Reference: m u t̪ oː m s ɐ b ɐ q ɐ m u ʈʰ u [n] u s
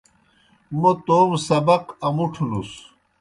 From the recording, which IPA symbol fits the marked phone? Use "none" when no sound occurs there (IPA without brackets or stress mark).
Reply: n